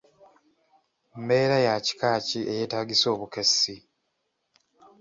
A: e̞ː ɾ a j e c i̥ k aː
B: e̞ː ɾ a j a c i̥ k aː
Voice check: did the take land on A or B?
B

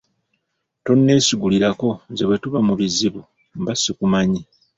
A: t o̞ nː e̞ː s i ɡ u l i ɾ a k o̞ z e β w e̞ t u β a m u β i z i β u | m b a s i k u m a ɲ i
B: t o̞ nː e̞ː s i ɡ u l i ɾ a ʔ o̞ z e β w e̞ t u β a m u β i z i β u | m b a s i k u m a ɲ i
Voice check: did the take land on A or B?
A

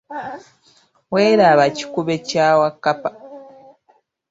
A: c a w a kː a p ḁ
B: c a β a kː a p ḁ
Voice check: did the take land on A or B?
A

